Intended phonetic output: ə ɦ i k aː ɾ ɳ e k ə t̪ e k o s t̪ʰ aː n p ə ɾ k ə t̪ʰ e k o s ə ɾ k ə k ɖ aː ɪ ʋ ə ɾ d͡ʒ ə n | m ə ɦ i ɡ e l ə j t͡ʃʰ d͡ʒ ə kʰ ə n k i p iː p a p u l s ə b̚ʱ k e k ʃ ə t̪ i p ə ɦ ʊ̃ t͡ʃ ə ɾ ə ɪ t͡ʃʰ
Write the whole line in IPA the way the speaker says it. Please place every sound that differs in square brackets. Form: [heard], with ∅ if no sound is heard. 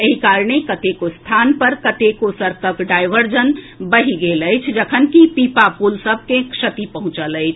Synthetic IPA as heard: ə ɦ i k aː ɾ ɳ e k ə t̪ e k o s t̪ʰ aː n p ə ɾ k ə [t̪] e k o s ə ɾ k ə k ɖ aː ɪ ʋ ə ɾ d͡ʒ ə n | [b] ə ɦ i ɡ e l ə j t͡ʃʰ d͡ʒ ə kʰ ə n k i p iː p a p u l s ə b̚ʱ k e k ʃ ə t̪ i p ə ɦ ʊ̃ t͡ʃ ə [l] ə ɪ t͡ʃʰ

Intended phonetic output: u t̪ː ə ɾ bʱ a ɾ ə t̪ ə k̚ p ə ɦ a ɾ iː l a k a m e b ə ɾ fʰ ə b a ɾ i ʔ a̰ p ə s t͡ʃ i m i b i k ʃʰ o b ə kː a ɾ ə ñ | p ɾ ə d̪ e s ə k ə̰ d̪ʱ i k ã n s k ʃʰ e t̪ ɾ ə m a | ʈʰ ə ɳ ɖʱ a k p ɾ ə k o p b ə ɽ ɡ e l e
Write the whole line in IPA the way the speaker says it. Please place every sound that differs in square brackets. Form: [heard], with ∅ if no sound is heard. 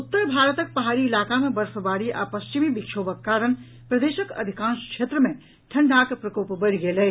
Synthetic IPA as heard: u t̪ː ə ɾ bʱ a ɾ ə t̪ ə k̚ p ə ɦ a ɾ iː l a k a m e b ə ɾ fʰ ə b a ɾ i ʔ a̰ p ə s t͡ʃ i m i b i k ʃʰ o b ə kː a ɾ ə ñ | p ɾ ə d̪ e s ə k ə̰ d̪ʱ i k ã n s k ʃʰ e t̪ ɾ ə m [e] | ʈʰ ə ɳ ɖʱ a k p ɾ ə k o p b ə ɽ ɡ e l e

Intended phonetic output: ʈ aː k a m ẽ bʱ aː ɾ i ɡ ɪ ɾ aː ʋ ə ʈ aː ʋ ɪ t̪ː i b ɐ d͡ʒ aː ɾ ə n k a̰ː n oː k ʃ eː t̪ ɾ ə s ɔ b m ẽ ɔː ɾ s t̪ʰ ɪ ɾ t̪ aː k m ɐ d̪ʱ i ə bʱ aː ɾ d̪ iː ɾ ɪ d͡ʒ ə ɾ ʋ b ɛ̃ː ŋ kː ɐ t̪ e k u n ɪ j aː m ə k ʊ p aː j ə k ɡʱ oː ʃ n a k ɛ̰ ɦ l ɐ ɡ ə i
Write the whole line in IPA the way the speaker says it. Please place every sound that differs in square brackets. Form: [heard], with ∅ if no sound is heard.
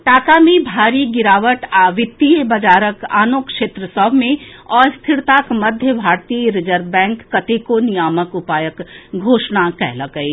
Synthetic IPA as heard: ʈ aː k a m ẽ bʱ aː ɾ i ɡ ɪ ɾ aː ʋ ə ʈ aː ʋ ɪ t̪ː i b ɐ d͡ʒ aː ɾ ə [∅] k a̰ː n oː k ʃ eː t̪ ɾ ə s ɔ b m ẽ ɔː ɾ s t̪ʰ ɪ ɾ t̪ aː k m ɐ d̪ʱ [j] ə bʱ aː ɾ [t̪] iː ɾ ɪ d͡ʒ ə ɾ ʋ b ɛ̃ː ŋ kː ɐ t̪ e k [o] n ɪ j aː m ə k ʊ p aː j ə k ɡʱ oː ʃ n a k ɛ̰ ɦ l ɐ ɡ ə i

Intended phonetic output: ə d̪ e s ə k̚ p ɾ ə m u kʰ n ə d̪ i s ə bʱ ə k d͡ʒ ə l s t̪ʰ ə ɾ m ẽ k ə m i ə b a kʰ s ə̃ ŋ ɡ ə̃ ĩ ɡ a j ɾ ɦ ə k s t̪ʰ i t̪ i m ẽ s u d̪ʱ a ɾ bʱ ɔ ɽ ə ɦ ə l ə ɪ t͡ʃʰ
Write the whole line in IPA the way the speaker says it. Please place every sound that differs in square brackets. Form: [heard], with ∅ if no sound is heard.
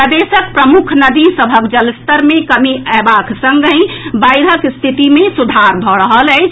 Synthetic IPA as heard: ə d̪ e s ə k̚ p ɾ ə m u kʰ n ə d̪ i s ə bʱ ə k d͡ʒ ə l s [t̪] ə ɾ m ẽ k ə m i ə b a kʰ s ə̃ ŋ ɡ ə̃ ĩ [b] a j ɾ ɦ ə k s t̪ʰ i t̪ i m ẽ s u d̪ʱ a ɾ bʱ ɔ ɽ ə ɦ ə l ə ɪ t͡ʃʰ

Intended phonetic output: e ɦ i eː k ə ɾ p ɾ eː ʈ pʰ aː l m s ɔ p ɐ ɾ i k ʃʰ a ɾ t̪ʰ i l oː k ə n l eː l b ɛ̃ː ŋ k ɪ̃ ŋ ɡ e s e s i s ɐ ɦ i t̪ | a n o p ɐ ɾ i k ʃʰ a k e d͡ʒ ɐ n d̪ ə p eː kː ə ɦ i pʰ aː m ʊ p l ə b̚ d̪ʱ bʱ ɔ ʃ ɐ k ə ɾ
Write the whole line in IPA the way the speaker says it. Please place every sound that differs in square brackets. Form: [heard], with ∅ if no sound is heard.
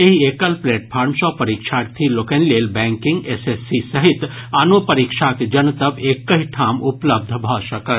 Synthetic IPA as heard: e ɦ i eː k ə [l] p [l] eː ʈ pʰ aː [ɾ] m s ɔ p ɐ ɾ i k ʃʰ a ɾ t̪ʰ i l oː k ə n l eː l b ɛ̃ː ŋ k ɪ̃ ŋ ɡ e s e s i s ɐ ɦ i t̪ | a n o p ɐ ɾ i k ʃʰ a k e d͡ʒ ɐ n [t̪] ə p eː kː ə ɦ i [ʈʰ] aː m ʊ p l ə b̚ d̪ʱ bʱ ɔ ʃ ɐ k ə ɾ

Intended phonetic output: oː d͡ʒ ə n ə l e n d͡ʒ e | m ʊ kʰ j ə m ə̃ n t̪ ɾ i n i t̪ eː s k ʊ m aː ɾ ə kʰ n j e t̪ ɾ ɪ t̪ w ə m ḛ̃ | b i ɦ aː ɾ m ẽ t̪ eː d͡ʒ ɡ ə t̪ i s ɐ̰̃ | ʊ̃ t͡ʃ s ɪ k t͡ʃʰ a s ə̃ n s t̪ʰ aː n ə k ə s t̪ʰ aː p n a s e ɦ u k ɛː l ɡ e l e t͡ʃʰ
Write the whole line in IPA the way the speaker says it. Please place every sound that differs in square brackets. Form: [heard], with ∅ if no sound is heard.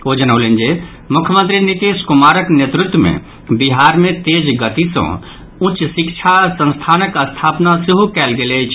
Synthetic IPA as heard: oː d͡ʒ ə n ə l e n d͡ʒ e | m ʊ kʰ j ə m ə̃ n t̪ ɾ i n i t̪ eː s k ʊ m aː ɾ ə [k] n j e t̪ ɾ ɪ t̪ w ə m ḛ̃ | b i ɦ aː ɾ m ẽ t̪ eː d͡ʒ ɡ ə t̪ i s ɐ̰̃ | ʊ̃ t͡ʃ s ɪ k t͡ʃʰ a s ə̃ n s t̪ʰ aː n ə k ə s t̪ʰ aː p n a s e ɦ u k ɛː l ɡ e l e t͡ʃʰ

